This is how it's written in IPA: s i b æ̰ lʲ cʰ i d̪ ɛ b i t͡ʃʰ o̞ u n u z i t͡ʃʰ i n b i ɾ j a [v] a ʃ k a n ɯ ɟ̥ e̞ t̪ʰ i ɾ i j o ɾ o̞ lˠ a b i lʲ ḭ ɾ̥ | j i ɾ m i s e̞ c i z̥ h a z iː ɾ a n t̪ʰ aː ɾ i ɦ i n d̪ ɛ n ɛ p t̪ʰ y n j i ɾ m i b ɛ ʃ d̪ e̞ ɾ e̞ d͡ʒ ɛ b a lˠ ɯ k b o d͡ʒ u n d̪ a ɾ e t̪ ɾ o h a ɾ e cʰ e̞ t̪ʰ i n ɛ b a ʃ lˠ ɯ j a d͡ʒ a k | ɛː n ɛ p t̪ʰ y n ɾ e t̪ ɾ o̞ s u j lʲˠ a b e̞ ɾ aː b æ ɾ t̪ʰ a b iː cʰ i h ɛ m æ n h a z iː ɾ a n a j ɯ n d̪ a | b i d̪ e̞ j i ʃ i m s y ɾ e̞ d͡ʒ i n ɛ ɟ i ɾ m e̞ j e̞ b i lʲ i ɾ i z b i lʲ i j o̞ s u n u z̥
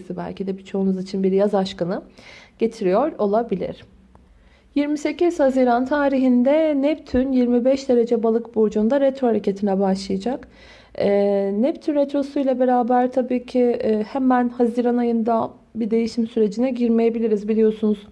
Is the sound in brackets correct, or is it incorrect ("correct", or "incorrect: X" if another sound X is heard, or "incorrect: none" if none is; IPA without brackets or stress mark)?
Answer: incorrect: z